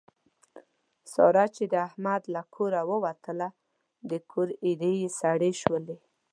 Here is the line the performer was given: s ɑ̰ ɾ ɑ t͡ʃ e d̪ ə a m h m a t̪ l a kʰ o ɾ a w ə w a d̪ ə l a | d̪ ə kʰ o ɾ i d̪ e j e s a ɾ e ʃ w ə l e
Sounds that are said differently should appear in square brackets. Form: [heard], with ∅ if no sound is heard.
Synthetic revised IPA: s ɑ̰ ɾ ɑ t͡ʃ e d̪ ə a [∅] h m a [d̪] l a kʰ o ɾ a w ə w a [t̪] ə l a | d̪ ə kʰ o ɾ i d̪ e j e s a [ɽ] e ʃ w ə l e